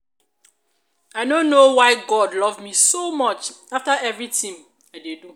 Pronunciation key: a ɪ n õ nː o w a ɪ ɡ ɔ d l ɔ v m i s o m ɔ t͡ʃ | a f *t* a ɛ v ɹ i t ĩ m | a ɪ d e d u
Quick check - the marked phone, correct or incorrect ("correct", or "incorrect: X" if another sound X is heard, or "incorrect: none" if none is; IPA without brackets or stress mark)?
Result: correct